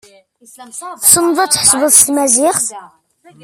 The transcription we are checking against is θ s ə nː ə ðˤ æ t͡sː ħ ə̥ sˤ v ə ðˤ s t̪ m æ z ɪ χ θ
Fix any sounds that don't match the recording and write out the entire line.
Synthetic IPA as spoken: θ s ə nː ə ðˤ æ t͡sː ħ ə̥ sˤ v ə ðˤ s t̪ m æ z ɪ χ θ